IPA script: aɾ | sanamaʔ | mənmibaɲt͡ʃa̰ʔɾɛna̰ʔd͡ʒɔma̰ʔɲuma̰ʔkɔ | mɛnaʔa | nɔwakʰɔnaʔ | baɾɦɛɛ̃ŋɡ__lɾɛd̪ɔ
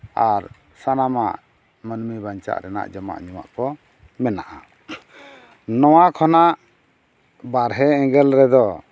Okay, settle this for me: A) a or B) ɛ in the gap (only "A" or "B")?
B